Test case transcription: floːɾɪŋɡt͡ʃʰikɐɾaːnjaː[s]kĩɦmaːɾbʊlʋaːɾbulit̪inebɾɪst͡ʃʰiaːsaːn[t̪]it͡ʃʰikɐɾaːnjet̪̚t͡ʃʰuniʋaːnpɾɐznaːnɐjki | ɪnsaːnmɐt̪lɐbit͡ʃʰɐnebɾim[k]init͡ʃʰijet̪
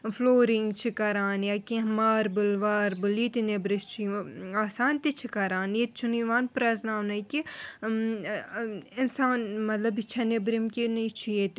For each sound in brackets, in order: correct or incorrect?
incorrect: none, correct, correct

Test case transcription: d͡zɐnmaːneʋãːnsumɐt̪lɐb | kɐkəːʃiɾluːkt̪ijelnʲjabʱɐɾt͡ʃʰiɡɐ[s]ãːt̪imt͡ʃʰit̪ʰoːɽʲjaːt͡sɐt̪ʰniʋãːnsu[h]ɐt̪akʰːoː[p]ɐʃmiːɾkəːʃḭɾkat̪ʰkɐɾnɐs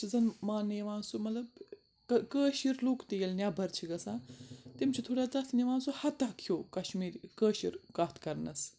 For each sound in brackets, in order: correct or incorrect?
correct, correct, incorrect: k

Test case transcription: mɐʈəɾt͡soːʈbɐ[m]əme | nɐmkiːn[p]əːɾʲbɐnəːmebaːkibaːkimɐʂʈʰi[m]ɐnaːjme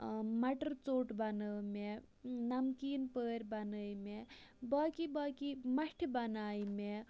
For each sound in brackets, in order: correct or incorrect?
incorrect: n, correct, incorrect: b

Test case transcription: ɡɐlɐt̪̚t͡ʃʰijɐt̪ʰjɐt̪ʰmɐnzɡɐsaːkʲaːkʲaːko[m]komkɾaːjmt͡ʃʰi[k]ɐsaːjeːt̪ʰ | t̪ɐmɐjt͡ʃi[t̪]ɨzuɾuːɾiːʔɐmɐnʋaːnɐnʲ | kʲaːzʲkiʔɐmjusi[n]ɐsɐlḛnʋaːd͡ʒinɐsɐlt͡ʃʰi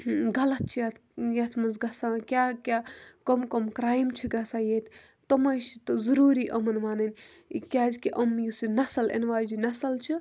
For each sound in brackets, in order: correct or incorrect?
correct, incorrect: ɡ, correct, correct

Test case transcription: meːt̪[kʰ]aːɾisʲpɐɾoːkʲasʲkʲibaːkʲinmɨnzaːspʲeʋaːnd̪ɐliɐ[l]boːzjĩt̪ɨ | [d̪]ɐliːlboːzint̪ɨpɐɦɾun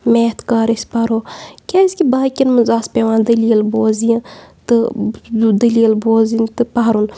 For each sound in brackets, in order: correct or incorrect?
incorrect: k, correct, correct

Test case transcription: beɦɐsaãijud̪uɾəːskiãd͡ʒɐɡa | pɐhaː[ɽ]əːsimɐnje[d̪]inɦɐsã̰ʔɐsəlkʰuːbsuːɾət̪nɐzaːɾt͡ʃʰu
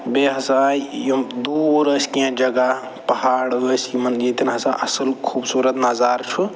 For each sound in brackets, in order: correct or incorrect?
correct, incorrect: t̪

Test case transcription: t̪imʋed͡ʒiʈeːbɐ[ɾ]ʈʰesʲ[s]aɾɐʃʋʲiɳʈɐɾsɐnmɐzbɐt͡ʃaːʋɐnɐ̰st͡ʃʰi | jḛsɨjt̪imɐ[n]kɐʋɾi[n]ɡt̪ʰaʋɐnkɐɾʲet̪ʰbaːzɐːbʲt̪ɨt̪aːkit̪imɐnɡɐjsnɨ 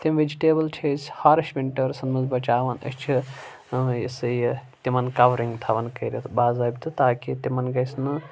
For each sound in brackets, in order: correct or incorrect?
incorrect: l, incorrect: h, correct, incorrect: ŋ

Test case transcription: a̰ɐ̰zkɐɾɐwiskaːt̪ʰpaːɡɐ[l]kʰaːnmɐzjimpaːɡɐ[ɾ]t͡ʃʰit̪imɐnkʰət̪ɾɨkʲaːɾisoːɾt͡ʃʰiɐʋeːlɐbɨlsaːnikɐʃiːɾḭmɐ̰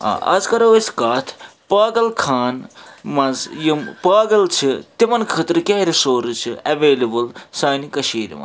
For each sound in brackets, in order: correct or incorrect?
correct, incorrect: l

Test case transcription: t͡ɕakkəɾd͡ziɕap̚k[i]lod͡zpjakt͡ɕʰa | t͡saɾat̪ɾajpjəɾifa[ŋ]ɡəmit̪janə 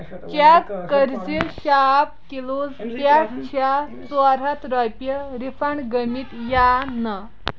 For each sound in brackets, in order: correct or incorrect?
correct, incorrect: ɳ

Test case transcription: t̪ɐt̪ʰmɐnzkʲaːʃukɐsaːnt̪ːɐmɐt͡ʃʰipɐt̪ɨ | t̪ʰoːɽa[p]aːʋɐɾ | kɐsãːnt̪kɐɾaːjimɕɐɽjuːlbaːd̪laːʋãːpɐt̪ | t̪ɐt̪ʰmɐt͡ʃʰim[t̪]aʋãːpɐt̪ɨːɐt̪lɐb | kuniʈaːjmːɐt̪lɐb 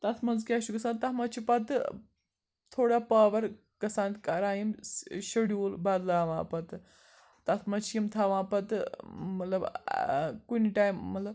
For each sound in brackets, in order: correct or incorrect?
correct, incorrect: t̪ʰ

